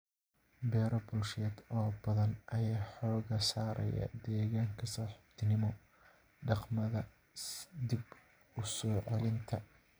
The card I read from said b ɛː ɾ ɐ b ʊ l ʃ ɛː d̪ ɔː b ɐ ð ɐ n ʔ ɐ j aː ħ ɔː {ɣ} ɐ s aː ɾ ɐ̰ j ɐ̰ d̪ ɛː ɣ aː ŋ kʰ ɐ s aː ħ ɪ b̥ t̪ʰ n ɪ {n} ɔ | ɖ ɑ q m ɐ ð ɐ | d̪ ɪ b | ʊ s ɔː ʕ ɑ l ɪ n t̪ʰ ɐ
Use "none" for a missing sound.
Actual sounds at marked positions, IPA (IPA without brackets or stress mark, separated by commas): ɣ, m